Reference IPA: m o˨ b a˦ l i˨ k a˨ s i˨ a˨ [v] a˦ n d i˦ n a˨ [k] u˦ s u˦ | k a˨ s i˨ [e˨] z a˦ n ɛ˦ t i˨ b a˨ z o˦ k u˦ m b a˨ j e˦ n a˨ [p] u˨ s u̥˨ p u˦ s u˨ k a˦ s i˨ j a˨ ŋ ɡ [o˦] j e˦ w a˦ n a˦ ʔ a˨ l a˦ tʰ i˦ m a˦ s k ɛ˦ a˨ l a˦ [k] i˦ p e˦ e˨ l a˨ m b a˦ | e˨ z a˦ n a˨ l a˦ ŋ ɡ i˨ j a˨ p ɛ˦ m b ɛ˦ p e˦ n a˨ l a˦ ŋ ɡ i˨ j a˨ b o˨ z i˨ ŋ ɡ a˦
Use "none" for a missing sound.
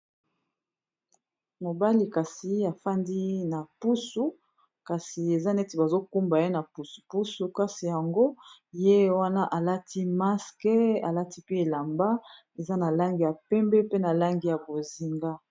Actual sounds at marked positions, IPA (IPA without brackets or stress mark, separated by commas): f, p, e˨, p, o˦, t